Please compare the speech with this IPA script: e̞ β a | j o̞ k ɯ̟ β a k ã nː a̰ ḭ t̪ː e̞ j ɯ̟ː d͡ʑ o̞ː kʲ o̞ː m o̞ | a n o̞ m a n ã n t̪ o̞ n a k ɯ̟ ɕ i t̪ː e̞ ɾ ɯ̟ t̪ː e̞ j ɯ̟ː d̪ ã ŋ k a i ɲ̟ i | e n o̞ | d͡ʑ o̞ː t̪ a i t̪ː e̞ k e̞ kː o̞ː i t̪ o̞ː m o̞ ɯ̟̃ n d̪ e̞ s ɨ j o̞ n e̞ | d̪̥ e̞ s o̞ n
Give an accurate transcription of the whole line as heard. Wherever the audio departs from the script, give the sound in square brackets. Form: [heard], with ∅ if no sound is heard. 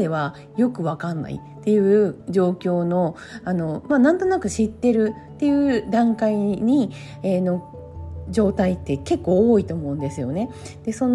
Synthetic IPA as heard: e̞ β a | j o̞ k ɯ̟ β a k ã nː a̰ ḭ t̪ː e̞ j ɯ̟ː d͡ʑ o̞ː kʲ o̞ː [n] o̞ | a n o̞ m a n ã n t̪ o̞ n a k ɯ̟ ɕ i t̪ː e̞ ɾ ɯ̟ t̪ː e̞ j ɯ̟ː d̪ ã ŋ k a i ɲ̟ i | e n o̞ | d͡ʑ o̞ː t̪ a i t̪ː e̞ k e̞ kː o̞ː i t̪ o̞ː m o̞ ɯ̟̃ n d̪ e̞ s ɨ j o̞ n e̞ | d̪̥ e̞ s o̞ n